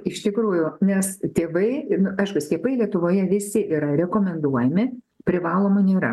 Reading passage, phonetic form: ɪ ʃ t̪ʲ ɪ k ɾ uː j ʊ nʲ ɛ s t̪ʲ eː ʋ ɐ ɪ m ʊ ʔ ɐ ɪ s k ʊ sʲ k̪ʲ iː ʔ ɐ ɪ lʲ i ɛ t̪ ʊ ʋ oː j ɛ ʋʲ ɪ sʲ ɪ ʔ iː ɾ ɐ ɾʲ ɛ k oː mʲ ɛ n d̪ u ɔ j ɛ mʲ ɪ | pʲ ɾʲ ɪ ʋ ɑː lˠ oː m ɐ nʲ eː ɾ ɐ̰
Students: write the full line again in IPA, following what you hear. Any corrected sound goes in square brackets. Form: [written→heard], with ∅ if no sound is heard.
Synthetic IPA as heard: ɪ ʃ t̪ʲ ɪ k ɾ uː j ʊ nʲ ɛ s t̪ʲ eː ʋ ɐ ɪ [m→n] ʊ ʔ ɐ ɪ [s→ʃ] k ʊ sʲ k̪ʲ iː [ʔ→p] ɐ ɪ lʲ i ɛ t̪ ʊ ʋ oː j ɛ ʋʲ ɪ sʲ ɪ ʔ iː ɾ ɐ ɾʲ ɛ k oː mʲ ɛ n d̪ u ɔ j ɛ mʲ ɪ | pʲ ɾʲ ɪ ʋ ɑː lˠ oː m ɐ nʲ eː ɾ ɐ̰